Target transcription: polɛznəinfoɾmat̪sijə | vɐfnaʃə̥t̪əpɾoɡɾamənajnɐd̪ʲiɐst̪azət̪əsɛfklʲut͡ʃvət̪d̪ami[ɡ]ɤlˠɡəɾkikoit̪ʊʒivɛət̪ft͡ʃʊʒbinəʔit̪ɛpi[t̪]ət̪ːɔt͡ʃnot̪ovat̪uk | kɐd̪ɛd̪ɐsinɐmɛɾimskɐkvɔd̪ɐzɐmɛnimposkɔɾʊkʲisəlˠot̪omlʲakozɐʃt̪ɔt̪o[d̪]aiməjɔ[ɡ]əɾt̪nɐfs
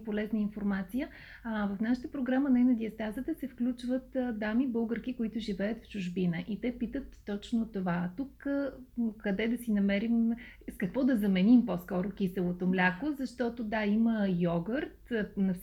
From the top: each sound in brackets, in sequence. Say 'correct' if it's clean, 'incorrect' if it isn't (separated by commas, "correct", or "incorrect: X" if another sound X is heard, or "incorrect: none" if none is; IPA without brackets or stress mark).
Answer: incorrect: b, correct, correct, correct